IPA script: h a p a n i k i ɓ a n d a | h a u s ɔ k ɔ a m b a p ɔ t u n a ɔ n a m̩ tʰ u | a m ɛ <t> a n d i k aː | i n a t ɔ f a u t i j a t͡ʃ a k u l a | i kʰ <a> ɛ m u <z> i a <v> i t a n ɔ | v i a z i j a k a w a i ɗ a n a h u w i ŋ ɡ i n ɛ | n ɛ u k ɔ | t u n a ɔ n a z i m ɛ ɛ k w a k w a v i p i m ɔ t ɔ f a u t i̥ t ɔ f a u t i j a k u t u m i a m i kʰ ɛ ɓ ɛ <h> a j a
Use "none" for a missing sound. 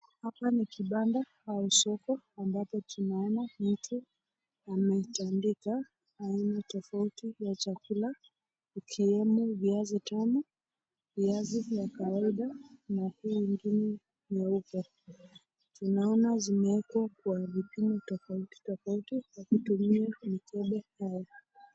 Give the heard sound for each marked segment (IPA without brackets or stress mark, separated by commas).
t, i, v, z, h